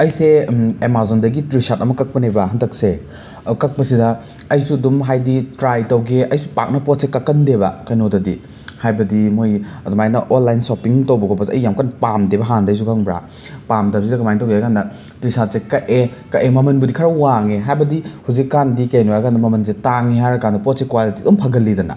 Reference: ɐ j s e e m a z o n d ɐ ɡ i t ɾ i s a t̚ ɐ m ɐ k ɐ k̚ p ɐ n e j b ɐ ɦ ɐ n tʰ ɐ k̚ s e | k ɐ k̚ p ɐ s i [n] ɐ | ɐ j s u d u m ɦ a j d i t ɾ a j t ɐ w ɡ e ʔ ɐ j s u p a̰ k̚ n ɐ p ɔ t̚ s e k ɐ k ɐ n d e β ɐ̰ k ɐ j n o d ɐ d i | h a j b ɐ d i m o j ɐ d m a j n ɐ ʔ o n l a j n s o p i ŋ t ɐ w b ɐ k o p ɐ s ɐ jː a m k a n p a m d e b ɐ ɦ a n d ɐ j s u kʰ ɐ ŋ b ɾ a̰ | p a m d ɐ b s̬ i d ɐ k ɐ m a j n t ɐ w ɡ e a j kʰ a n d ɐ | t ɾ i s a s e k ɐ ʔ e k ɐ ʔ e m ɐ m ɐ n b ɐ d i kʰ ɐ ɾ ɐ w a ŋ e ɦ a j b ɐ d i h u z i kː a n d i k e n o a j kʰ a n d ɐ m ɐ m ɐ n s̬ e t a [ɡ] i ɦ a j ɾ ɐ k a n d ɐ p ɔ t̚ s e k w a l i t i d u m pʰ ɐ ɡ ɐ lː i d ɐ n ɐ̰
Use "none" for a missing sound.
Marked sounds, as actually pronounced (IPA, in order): d, ŋ

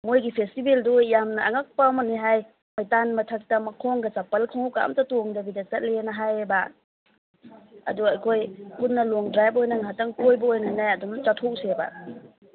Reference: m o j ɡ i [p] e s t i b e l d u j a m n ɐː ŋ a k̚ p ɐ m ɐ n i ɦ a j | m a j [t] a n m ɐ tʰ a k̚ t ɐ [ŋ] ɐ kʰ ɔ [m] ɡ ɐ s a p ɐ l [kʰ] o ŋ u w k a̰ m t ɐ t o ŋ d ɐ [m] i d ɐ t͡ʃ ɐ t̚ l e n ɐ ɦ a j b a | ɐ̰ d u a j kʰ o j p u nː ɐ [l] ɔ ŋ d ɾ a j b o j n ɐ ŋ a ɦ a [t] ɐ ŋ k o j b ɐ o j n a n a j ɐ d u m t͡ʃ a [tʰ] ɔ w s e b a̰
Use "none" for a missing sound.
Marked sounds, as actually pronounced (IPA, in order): pʰ, t, m, ŋ, kʰ, b, l, t, tʰ

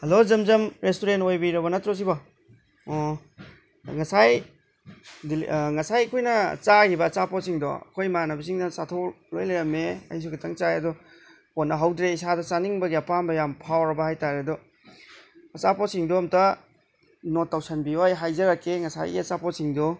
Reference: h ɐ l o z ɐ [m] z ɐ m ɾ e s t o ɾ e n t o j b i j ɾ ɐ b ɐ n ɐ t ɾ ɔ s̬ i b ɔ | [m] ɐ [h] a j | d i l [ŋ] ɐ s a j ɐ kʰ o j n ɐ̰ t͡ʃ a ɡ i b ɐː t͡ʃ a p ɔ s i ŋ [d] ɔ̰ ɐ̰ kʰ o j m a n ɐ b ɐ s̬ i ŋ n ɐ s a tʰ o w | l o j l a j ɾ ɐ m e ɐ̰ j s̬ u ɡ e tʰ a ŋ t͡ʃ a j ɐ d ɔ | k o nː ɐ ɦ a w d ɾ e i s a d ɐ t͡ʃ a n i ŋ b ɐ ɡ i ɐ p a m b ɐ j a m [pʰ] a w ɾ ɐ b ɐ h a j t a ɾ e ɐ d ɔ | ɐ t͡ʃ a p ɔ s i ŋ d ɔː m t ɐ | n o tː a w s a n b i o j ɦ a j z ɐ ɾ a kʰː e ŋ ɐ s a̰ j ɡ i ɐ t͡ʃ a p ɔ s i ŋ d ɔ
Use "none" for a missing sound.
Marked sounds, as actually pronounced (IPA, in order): m, ŋ, s, ŋ, d, pʰ

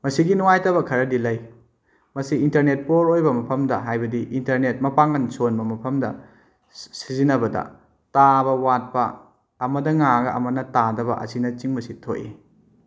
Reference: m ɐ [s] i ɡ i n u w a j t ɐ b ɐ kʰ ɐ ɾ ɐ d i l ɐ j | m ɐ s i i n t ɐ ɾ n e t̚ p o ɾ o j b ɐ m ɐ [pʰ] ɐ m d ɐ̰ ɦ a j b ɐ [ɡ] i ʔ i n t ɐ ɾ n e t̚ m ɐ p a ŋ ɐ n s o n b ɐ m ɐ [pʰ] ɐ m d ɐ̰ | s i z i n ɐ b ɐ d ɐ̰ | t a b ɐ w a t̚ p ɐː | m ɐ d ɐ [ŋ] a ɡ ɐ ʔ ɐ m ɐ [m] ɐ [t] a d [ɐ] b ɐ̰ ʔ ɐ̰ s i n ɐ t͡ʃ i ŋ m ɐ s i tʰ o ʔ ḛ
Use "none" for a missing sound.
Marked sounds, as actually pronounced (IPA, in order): s, pʰ, d, pʰ, ŋ, n, t, ɐ

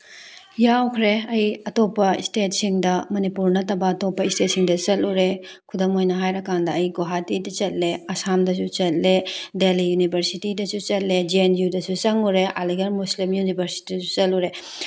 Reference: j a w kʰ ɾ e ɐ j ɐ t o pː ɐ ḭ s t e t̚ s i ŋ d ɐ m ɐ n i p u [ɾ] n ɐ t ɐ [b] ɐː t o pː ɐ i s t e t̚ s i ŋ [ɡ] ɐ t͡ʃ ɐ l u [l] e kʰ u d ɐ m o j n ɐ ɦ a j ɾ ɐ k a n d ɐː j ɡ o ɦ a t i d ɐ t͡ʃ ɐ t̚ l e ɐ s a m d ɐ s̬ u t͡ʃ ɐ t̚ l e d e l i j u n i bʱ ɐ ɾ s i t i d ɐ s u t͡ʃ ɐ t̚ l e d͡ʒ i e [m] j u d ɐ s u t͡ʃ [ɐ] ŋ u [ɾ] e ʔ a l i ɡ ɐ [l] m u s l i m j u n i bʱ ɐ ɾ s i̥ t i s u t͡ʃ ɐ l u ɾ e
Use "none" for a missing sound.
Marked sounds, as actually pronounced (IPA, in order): ɾ, b, d, ɾ, n, ɐ, ɾ, ɾ

